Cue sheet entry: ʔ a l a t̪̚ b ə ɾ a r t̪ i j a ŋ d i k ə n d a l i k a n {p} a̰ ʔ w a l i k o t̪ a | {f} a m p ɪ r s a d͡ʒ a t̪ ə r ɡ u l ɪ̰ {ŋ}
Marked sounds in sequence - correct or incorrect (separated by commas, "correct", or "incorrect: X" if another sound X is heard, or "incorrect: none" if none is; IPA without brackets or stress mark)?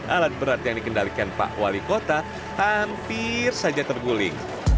correct, incorrect: h, correct